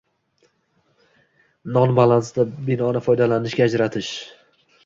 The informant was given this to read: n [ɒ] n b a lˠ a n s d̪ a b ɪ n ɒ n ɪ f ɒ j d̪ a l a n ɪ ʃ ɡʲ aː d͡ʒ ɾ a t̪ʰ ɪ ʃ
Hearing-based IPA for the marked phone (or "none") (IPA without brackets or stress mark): ɒ